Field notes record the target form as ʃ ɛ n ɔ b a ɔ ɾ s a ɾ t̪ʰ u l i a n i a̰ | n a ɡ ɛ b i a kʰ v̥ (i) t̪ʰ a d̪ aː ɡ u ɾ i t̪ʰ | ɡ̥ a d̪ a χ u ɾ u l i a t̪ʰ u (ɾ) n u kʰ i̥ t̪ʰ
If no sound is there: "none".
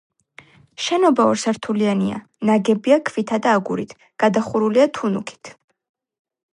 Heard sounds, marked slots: i, none

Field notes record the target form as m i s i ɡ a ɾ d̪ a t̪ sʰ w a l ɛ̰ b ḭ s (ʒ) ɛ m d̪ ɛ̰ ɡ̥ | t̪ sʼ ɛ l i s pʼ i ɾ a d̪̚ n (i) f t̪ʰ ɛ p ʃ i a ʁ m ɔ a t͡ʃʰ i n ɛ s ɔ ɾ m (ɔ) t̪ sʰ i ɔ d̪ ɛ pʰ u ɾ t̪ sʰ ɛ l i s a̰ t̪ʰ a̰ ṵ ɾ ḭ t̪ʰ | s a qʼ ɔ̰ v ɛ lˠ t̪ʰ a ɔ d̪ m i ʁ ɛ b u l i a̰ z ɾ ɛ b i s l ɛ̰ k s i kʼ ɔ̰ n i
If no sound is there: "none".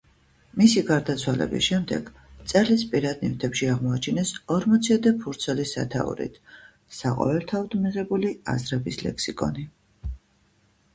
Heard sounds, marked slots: ʃ, i, ɔ

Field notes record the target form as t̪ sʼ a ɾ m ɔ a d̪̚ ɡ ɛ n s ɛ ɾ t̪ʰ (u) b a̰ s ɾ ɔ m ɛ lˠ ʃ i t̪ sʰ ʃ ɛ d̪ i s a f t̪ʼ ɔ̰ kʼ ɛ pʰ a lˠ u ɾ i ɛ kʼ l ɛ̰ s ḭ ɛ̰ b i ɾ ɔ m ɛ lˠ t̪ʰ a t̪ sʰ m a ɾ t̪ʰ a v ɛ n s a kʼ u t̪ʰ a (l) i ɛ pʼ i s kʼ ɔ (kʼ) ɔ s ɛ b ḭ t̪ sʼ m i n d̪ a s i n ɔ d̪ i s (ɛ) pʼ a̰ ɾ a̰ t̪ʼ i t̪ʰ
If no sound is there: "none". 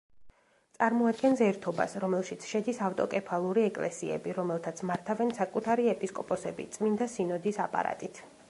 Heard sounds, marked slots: ɔ, ɾ, pʼ, a

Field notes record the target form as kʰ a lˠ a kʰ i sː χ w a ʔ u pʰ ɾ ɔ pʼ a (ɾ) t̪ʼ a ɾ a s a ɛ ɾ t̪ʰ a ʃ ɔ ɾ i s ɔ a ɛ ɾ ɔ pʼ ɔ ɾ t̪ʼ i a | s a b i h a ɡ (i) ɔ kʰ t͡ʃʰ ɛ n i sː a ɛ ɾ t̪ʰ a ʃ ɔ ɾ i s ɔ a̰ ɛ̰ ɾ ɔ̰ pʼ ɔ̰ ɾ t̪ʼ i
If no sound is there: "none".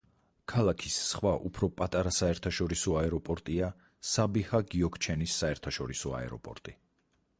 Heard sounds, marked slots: none, i

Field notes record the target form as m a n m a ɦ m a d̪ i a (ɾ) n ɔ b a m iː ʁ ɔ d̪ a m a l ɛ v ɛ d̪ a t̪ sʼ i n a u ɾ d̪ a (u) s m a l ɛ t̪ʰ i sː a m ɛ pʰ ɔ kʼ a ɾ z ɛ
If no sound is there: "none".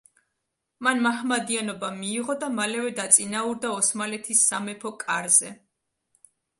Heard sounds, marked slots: none, ɔ

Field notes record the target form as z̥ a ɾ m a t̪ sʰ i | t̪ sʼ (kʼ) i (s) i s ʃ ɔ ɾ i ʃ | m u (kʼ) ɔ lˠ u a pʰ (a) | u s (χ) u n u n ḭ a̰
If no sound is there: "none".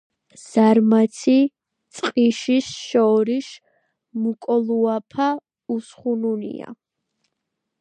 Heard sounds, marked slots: qʼ, ʃ, kʼ, a, χ

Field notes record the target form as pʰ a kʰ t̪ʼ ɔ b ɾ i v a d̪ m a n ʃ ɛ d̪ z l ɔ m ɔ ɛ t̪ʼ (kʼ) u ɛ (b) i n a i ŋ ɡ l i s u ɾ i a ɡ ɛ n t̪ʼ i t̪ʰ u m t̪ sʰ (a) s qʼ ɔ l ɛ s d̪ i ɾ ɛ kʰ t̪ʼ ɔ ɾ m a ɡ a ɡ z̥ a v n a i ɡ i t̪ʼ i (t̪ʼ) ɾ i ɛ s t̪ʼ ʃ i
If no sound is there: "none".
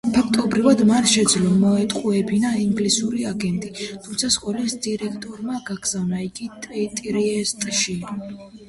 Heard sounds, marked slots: qʼ, b, a, t̪ʼ

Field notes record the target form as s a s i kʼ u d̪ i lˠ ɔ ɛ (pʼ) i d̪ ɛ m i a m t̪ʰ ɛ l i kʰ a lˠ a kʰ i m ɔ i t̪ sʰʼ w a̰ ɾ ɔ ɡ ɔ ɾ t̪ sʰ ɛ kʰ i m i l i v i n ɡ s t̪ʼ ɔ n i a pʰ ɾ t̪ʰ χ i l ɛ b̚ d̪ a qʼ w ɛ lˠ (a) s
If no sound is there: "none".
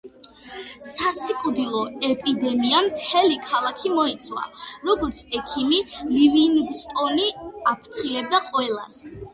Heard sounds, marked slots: pʼ, a

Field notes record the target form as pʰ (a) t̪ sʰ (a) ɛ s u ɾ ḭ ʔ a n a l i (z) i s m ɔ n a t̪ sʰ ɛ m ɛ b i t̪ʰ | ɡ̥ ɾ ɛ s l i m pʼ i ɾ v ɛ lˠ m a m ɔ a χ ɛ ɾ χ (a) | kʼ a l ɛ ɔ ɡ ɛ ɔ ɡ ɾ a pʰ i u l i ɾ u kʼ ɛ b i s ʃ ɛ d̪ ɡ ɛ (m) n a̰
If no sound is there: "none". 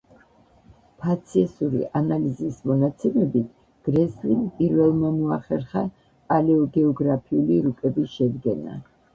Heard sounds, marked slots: a, i, z, a, none

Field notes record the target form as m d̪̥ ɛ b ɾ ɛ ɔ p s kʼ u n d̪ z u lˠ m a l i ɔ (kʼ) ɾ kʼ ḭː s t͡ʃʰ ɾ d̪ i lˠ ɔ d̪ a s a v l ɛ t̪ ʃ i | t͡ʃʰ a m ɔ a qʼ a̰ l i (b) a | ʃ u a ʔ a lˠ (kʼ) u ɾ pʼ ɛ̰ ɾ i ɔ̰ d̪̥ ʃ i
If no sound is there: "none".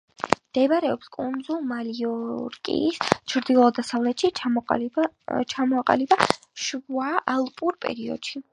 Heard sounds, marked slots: none, b, pʼ

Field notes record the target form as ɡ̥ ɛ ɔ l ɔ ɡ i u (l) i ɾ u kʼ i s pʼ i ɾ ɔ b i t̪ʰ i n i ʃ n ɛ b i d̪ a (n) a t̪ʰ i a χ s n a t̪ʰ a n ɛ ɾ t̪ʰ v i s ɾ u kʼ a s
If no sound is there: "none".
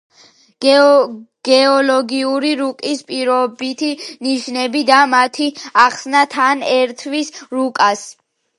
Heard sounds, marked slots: ɾ, m

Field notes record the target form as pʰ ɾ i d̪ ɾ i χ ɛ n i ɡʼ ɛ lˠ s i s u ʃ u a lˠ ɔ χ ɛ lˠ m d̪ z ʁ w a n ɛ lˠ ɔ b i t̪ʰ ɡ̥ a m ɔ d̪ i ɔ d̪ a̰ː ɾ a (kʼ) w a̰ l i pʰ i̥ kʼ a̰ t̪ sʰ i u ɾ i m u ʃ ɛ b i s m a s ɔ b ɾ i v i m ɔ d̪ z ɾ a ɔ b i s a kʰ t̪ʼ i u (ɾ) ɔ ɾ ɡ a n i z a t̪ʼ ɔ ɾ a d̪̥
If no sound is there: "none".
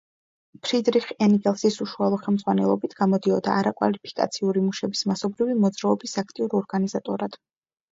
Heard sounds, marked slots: kʼ, ɾ

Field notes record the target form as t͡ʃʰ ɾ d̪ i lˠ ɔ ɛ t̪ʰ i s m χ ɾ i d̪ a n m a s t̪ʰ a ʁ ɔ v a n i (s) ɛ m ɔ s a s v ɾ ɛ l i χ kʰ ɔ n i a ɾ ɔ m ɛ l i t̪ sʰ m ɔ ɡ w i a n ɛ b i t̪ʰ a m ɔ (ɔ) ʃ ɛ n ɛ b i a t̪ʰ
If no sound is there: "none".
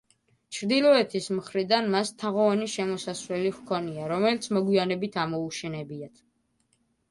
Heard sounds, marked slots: ʃ, u

